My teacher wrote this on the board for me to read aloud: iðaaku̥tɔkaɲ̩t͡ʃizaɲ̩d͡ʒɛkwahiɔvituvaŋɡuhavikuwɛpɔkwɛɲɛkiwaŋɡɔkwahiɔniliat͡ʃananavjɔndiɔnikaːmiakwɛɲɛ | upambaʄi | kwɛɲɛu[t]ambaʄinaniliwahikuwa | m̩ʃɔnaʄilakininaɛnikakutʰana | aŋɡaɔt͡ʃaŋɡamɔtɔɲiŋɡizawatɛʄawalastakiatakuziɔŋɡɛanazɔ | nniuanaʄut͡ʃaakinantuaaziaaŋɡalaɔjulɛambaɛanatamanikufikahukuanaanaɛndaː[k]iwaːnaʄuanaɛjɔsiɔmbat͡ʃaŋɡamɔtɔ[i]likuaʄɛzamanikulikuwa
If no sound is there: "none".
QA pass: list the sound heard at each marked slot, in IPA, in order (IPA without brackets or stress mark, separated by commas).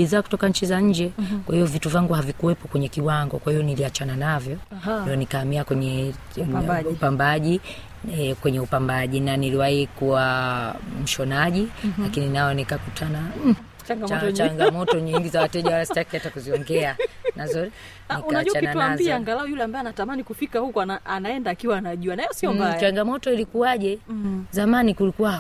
p, k, i